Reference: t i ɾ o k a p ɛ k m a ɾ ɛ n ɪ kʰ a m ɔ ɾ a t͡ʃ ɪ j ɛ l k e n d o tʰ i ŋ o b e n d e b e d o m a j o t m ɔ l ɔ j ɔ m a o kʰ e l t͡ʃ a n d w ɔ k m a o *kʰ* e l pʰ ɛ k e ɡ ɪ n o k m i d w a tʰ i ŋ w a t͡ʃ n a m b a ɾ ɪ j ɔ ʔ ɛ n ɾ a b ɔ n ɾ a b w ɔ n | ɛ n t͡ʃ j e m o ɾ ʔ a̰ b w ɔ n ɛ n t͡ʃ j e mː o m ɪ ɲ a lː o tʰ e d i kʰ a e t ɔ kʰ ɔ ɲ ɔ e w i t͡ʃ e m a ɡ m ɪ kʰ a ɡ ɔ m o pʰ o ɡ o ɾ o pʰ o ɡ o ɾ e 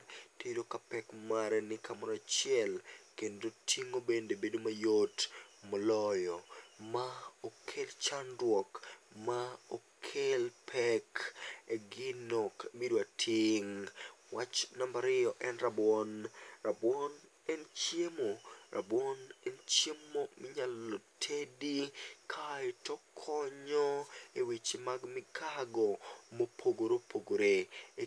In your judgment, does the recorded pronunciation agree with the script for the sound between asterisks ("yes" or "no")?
yes